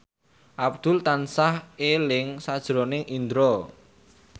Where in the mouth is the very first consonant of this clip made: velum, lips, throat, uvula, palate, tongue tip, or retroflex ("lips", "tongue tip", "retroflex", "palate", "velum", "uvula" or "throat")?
throat